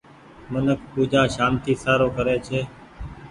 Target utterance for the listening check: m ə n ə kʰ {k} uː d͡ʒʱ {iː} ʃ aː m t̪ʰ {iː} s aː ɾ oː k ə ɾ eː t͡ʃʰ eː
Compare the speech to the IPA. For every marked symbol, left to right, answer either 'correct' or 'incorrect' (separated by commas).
incorrect, incorrect, correct